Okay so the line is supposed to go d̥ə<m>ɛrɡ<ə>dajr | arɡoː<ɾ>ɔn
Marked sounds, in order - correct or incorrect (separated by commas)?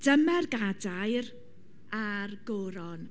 correct, incorrect, correct